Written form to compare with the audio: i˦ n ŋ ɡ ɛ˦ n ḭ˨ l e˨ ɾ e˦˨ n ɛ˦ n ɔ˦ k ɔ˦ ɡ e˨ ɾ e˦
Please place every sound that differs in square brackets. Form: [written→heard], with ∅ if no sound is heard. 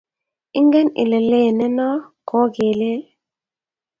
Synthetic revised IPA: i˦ [n→∅] ŋ ɡ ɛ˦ n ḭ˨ l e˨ [ɾ→l] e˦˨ n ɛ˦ n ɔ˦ k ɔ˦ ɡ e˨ [ɾ→l] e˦